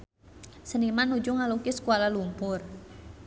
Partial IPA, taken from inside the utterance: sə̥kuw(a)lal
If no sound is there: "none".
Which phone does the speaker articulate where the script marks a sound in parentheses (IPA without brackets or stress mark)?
a